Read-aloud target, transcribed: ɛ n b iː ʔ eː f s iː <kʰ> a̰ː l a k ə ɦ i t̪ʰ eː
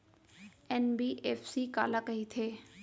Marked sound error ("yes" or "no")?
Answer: yes